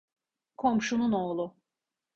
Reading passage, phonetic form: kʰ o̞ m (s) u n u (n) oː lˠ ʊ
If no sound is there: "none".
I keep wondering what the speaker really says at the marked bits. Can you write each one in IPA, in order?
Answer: ʃ, n

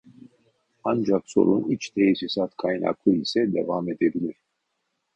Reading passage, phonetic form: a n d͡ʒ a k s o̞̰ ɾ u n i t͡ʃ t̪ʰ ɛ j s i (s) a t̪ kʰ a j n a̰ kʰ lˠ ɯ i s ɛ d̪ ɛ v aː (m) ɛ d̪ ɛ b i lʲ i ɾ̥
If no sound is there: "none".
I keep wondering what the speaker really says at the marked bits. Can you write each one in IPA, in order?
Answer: s, m

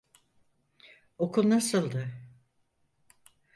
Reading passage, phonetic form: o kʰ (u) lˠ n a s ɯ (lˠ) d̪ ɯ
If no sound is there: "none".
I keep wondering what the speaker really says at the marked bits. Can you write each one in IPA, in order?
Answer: u, lˠ

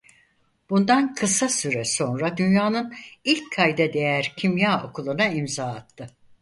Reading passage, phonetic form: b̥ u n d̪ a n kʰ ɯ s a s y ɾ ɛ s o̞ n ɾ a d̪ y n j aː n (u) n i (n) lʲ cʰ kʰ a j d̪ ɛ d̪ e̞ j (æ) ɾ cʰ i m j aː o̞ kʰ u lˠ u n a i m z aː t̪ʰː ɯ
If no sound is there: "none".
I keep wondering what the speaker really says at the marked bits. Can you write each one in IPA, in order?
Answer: ɯ, none, æ

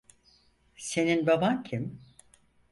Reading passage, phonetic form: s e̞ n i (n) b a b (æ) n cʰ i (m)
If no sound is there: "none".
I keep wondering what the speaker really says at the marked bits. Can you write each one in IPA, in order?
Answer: n, a, m

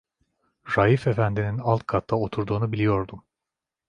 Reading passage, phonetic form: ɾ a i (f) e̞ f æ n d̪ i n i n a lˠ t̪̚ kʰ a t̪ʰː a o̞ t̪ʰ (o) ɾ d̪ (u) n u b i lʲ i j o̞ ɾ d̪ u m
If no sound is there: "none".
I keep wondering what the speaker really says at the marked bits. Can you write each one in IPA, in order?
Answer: f, u, uː

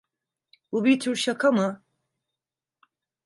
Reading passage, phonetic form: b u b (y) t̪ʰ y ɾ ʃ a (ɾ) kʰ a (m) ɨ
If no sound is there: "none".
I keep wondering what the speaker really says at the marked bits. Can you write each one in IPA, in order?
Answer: i, none, m

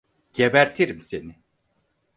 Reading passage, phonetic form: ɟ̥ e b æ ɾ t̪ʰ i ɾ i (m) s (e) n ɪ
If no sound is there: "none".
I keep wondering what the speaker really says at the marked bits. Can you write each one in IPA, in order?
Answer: m, e

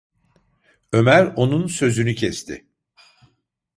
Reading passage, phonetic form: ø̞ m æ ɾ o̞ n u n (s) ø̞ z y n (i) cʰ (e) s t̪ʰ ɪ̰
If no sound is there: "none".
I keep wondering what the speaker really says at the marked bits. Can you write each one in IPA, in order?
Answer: s, y, ɛ

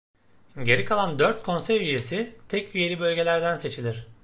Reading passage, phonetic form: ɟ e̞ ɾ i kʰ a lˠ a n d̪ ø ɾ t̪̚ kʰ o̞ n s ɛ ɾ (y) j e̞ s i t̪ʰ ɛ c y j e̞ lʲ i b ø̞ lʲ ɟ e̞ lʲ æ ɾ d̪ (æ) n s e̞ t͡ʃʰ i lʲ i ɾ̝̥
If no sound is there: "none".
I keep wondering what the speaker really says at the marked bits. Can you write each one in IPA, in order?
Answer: y, æ

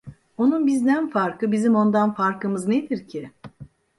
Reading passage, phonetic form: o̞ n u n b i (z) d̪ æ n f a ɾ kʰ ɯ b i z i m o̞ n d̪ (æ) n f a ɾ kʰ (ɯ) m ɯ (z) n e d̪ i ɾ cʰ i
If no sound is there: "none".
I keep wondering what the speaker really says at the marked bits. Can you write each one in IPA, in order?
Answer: z, a, ɯ, z

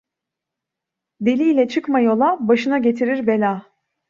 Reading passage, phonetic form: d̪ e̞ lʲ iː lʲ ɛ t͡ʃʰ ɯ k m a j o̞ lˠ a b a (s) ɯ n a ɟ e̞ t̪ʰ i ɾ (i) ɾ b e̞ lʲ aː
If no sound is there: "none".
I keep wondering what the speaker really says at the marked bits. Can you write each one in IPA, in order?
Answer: ʃ, i

